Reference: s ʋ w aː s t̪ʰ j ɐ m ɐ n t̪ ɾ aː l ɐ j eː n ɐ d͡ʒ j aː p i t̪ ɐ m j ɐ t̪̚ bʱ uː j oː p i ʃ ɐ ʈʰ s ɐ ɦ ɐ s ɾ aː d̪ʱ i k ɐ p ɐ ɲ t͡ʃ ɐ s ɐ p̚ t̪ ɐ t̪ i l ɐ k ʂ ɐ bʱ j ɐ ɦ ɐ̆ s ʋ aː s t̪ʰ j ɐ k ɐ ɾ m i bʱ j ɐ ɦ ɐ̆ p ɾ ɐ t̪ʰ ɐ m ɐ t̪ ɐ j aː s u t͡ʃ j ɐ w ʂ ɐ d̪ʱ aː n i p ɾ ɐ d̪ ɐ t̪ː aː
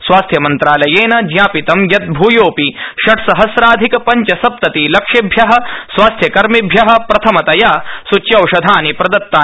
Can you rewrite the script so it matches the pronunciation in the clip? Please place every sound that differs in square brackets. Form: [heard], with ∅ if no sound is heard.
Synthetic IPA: s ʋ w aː s t̪ʰ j ɐ m ɐ n t̪ ɾ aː l ɐ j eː n ɐ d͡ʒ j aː p i t̪ ɐ m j ɐ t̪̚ bʱ uː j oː p i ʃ ɐ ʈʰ s ɐ ɦ ɐ s ɾ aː d̪ʱ i k ɐ p ɐ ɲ t͡ʃ ɐ s ɐ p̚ t̪ ɐ t̪ i l ɐ k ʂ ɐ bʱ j ɐ ɦ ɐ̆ s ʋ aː s t̪ʰ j ɐ k ɐ ɾ m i bʱ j ɐ ɦ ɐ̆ p ɾ ɐ t̪ʰ ɐ m ɐ t̪ ɐ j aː s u t͡ʃ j ɐ w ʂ ɐ d̪ʱ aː n i p ɾ ɐ d̪ ɐ t̪ː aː

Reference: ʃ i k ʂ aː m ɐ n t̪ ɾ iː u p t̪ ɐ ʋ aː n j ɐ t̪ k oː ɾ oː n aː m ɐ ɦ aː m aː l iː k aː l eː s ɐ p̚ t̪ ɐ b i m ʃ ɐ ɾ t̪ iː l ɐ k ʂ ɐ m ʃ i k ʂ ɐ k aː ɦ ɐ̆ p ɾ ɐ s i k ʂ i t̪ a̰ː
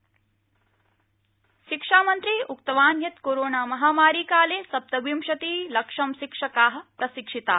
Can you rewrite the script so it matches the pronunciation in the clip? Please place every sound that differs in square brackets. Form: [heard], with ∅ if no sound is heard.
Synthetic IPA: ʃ i k ʂ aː m ɐ n t̪ ɾ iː u [k] t̪ ɐ ʋ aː n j ɐ t̪ k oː ɾ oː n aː m ɐ ɦ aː m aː [ɾ] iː k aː l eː s ɐ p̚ t̪ ɐ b i m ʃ ɐ [∅] t̪ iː l ɐ k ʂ ɐ m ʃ i k ʂ ɐ k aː ɦ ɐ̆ p ɾ ɐ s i k ʂ i t̪ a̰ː

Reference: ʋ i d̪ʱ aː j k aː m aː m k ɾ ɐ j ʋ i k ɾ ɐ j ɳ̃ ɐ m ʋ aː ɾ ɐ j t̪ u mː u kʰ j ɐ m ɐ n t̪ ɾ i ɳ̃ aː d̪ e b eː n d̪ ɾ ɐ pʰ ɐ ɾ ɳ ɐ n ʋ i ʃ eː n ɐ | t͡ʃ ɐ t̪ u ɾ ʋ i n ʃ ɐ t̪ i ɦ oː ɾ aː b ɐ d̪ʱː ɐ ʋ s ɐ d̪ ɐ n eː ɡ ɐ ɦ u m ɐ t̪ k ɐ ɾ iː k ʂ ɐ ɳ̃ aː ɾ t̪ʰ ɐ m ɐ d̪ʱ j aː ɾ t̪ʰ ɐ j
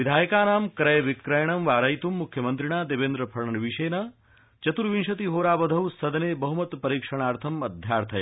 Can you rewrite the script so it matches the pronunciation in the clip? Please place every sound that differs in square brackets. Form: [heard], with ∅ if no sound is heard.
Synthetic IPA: ʋ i d̪ʱ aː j k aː [n] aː m k ɾ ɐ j ʋ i k ɾ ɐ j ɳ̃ ɐ m ʋ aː ɾ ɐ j t̪ u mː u kʰ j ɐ m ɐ n t̪ ɾ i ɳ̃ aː d̪ e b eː n d̪ ɾ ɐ pʰ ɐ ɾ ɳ ɐ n ʋ i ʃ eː n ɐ | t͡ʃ ɐ t̪ u ɾ ʋ i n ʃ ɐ t̪ i ɦ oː ɾ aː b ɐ [d̪ʱ] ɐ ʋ s ɐ d̪ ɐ n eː [b] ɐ ɦ u m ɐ t̪ [p] ɐ ɾ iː k ʂ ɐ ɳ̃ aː ɾ t̪ʰ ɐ m ɐ d̪ʱ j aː ɾ t̪ʰ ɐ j

